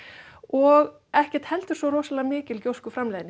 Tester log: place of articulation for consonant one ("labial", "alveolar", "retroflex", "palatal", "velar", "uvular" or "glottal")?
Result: velar